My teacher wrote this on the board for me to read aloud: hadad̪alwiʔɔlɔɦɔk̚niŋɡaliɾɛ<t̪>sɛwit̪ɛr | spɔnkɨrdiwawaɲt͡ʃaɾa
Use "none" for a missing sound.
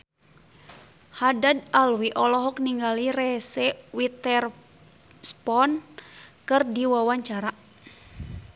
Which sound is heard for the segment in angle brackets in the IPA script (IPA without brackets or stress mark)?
none